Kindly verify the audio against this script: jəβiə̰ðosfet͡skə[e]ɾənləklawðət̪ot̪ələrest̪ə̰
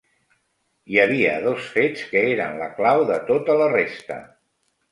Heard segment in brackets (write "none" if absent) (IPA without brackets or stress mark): e